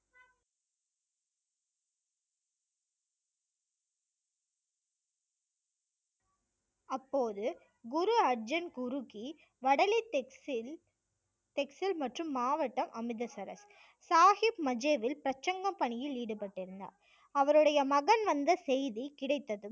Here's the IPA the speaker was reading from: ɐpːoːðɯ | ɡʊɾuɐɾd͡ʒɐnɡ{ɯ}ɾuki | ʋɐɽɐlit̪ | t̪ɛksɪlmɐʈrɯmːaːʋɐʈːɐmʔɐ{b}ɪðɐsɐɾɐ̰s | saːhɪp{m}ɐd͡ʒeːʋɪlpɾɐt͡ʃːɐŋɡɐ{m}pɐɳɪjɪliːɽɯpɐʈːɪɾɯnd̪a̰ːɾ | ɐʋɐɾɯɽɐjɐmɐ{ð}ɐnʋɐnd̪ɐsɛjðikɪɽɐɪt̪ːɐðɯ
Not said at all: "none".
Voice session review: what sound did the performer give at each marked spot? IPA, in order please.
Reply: ʊ, m, m, m, ɣ

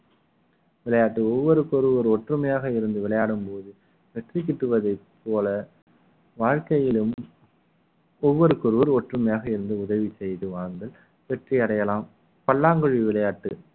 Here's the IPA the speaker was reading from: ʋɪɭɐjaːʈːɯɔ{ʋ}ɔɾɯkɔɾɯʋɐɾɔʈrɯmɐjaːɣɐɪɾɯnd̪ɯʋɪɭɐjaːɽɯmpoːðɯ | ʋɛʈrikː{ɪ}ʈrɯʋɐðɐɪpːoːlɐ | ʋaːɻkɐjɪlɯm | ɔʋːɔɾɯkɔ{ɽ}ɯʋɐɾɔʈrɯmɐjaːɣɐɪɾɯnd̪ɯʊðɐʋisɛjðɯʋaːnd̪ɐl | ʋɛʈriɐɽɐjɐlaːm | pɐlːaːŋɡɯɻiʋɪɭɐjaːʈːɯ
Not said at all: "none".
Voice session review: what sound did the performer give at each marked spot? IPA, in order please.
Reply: ʋː, ɪ, ɾ

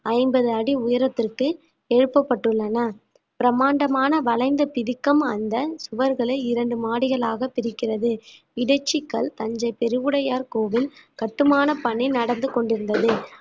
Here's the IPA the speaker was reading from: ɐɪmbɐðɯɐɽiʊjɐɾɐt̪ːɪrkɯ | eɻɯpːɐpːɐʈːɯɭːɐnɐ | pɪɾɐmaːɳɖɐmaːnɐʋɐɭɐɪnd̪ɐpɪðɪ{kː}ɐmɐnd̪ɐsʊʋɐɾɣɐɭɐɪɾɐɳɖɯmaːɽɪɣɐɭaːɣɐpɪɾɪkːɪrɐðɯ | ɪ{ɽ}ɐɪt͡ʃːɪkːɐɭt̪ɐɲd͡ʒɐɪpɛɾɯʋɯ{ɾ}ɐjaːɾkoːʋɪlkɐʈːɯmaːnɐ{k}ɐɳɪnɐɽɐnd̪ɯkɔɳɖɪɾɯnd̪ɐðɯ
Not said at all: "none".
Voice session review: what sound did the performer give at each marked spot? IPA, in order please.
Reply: kː, ɽ, ɽ, p

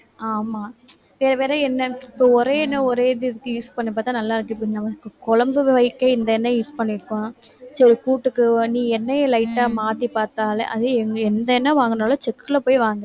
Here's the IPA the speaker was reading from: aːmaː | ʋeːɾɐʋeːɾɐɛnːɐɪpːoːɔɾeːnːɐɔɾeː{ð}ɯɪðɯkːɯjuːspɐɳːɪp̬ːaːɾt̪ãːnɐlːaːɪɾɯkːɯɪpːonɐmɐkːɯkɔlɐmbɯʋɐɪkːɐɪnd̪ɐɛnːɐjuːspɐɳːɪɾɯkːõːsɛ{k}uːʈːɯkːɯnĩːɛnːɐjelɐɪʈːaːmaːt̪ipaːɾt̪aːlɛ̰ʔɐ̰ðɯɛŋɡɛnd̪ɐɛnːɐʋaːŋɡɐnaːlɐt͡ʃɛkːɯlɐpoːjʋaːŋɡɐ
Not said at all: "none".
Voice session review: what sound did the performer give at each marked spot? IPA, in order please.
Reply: ð, k

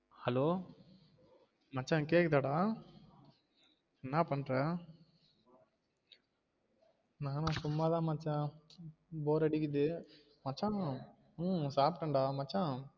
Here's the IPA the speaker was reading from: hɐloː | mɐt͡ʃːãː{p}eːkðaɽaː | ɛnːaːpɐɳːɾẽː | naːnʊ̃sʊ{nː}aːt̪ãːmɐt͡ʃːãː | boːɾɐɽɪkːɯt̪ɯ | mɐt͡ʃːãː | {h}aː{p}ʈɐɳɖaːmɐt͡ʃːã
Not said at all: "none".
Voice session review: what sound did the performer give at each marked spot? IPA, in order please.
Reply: k, mː, s, p

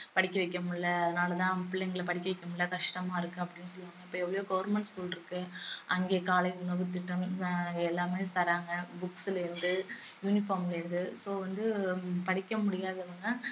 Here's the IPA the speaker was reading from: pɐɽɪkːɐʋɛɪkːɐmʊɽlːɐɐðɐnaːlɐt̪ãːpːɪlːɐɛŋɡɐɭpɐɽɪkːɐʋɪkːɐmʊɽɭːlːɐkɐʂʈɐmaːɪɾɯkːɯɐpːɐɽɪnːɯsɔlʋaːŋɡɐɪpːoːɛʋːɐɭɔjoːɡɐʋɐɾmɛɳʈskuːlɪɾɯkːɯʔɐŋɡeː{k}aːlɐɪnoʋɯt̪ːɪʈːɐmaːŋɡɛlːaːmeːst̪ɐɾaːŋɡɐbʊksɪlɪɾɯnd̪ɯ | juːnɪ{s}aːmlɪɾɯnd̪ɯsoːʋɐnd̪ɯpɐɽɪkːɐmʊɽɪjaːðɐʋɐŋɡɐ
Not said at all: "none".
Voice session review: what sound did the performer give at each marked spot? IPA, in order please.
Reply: k, f

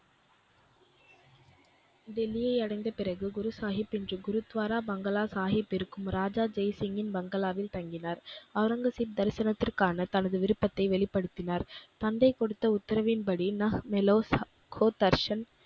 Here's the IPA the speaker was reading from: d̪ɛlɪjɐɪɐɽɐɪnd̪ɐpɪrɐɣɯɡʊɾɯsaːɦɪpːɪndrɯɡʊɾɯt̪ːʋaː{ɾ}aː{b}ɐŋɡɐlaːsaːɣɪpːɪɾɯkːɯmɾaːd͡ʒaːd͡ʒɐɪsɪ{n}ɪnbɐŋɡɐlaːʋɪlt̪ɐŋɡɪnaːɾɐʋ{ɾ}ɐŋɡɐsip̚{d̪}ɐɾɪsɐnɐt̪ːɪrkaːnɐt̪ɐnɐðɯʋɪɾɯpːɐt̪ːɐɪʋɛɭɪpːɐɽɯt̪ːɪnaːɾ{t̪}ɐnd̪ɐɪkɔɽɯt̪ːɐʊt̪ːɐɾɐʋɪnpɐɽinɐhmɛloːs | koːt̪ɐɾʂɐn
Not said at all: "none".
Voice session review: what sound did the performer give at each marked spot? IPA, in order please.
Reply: ɾ, b, ŋ, ɾ, d̪, t̪

